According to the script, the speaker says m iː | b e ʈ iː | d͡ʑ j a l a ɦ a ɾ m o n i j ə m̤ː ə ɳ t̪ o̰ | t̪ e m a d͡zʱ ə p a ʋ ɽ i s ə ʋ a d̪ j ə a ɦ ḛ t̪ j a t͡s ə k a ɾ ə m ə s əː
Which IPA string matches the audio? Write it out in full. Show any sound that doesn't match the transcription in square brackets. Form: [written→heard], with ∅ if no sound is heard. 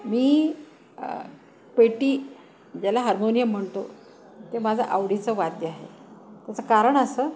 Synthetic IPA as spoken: m iː | [b→p] e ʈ iː | d͡ʑ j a l a ɦ a ɾ m o n i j ə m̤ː ə ɳ t̪ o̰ | t̪ e m a d͡zʱ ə [p→ʔ] a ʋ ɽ i [s→t͡s] ə ʋ a d̪ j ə a ɦ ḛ t̪ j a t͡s ə k a ɾ ə [m→ɳ] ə s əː